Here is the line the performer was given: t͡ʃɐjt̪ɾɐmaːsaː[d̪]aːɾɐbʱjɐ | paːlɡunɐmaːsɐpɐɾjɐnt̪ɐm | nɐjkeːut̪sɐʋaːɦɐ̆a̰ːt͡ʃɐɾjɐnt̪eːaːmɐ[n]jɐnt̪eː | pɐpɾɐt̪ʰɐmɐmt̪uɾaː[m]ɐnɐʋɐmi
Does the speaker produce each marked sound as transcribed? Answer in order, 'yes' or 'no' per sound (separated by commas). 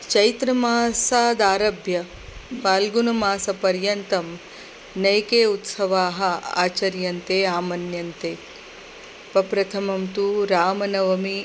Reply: yes, yes, yes